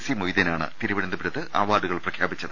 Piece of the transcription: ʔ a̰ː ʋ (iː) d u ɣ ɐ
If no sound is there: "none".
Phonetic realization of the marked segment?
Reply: aː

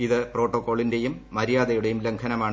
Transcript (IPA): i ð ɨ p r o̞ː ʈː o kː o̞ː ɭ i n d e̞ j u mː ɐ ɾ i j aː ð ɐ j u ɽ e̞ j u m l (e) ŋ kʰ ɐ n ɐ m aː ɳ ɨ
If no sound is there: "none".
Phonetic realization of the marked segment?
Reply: e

